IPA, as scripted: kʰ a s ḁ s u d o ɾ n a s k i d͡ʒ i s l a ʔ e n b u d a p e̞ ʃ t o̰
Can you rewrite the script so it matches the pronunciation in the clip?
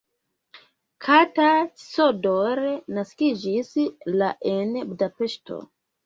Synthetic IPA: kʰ a t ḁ s o d o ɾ n a s k i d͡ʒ i s l a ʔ e n b u d a p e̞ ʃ t o̰

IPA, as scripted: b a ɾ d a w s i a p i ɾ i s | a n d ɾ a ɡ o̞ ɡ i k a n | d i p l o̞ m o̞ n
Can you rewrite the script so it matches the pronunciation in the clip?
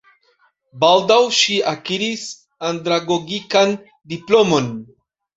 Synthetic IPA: b a l d a w ʃ i a k i ɾ i s | a n d ɾ a ɡ o̞ ɡ i k a n | d i p l o̞ m o̞ n

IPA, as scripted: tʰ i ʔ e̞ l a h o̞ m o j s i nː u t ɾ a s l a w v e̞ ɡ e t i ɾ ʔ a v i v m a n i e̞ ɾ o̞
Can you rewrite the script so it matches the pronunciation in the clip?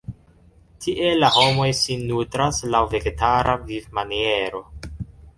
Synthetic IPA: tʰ i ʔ e̞ l a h o̞ m o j s i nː u t ɾ a s l a w v e̞ ɡ e t a ɾ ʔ a v i v m a n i e̞ ɾ o̞

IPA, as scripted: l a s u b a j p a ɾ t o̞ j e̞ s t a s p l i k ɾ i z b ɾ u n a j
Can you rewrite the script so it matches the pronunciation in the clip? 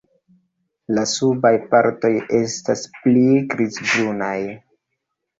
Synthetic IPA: l a s u b a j p a ɾ t o̞ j e̞ s t a s p l i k ɾ i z b ɾ u n a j

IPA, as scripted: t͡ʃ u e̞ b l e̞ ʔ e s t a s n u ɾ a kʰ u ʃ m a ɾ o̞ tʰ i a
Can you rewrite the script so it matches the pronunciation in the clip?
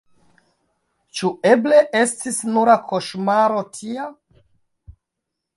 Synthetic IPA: t͡ʃ u e̞ b l e̞ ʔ e s t i s n u ɾ a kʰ o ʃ m a ɾ o̞ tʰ i a

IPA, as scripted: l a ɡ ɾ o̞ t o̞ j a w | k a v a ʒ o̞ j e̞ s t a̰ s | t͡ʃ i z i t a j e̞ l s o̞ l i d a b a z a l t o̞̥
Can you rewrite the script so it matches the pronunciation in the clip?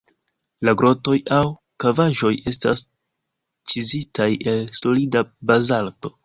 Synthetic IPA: l a ɡ ɾ o̞ t o̞ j a w | k a v a ʒ o̞ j e̞ s t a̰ s | t͡ʃ i z i t a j e̞ l s o̞ l i d a b a z a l t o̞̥

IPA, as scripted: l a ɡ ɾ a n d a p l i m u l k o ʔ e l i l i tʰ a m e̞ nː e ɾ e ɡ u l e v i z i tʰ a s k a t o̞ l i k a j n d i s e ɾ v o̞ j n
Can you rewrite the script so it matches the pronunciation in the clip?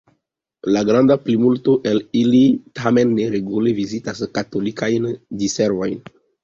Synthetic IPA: l a ɡ ɾ a n d a p l i m u l t o ʔ e l i l i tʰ a m e̞ nː e ɾ e ɡ u l e v i z i t a s k a t o̞ l i k a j n d i s e ɾ v o̞ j n

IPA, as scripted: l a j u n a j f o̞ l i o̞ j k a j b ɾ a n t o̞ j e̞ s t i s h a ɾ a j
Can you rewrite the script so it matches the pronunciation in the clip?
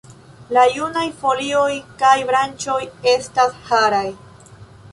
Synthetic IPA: l a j u n a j f o̞ l i o̞ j k a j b ɾ a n t͡ʃ o̞ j e̞ s t a s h a ɾ a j

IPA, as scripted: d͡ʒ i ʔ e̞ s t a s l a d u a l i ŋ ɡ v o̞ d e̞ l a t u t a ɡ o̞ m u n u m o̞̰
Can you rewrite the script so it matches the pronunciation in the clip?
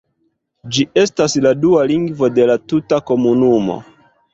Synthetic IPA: d͡ʒ i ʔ e̞ s t a s l a d u a l i ŋ ɡ v o̞ d e̞ l a t u t a k o̞ m u n u m o̞̰

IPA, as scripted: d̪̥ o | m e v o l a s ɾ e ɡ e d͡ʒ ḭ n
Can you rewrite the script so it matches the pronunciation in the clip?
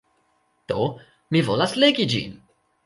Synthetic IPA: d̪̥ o | m i v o l a s l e ɡ i d͡ʒ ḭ n

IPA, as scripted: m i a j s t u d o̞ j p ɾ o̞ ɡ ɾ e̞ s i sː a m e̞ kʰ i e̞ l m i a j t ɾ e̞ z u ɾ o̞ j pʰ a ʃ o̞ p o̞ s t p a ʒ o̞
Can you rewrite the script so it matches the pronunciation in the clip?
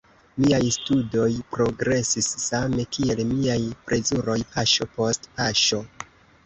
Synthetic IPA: m i a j s t u d o̞ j p ɾ o̞ ɡ ɾ e̞ s i sː a m e̞ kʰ i e̞ l m i a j p ɾ e̞ z u ɾ o̞ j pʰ a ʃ o̞ p o̞ s t p a ʃ o̞

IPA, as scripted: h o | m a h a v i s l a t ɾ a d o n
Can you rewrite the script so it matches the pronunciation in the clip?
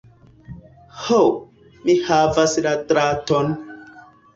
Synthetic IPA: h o | m i h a v a s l a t ɾ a t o n

